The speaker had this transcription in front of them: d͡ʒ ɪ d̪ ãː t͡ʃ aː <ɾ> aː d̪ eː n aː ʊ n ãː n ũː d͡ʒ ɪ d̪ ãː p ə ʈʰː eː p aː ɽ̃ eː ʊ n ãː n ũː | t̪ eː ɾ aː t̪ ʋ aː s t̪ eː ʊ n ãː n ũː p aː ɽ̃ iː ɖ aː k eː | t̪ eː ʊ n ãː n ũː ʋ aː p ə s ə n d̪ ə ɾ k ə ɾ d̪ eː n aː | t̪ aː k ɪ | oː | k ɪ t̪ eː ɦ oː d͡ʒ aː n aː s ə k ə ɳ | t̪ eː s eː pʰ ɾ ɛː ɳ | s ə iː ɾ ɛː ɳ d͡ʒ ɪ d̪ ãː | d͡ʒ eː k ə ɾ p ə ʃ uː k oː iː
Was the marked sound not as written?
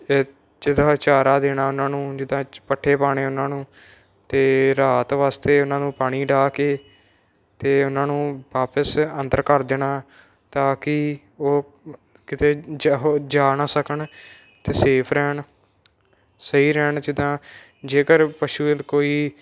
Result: no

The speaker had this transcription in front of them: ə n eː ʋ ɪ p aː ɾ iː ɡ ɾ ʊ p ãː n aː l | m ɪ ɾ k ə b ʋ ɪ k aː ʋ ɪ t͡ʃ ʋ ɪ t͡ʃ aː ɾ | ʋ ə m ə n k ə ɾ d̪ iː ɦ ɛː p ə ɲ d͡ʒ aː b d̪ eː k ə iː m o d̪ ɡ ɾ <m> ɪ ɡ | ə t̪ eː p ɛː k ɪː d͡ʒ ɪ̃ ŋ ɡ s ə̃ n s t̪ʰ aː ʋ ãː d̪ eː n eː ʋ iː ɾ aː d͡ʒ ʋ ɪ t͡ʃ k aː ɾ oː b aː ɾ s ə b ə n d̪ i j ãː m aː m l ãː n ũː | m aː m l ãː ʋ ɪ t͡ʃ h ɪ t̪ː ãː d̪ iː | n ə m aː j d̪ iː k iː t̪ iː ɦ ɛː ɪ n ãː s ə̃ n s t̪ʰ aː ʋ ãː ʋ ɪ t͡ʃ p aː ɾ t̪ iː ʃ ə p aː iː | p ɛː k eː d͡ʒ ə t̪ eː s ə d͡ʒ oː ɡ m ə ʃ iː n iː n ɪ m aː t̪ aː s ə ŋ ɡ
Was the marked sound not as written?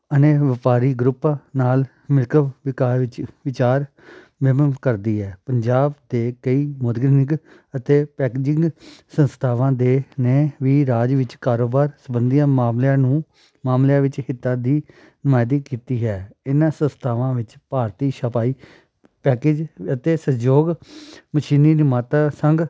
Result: yes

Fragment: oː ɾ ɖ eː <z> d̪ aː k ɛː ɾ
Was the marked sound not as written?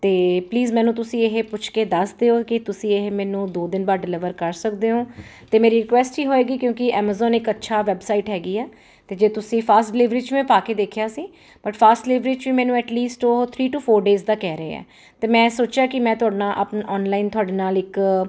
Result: no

